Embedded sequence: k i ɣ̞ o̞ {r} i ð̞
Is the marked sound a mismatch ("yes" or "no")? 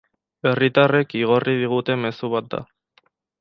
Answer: no